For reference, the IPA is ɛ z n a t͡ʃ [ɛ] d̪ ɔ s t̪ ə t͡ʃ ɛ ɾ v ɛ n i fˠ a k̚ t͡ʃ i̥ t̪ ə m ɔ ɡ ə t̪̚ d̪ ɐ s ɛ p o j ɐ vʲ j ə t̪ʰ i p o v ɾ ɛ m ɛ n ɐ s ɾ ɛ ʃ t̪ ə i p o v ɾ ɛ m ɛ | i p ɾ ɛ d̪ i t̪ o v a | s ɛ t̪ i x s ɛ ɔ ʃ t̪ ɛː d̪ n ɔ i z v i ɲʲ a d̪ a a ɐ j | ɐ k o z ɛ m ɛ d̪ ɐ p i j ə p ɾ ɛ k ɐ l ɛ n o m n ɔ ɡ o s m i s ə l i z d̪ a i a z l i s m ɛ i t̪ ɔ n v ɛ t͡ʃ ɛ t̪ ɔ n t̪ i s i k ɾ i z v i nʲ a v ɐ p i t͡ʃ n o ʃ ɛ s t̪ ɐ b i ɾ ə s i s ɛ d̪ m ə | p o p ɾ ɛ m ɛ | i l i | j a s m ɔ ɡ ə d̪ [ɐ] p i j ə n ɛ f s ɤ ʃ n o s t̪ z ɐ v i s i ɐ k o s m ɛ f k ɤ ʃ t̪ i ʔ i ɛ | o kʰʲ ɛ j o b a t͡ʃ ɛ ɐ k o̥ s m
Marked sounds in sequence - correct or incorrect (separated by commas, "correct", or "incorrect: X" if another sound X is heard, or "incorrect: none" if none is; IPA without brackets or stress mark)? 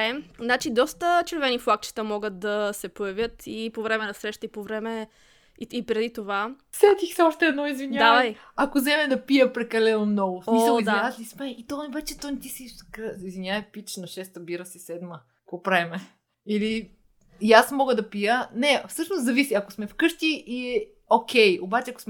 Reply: incorrect: i, correct